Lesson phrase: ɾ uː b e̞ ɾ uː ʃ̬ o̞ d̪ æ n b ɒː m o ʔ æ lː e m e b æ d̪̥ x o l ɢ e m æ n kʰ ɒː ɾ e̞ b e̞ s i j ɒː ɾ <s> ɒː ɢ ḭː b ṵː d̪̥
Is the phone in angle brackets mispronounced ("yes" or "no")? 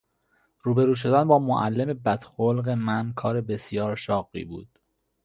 yes